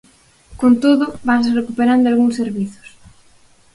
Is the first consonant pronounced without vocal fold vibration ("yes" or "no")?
yes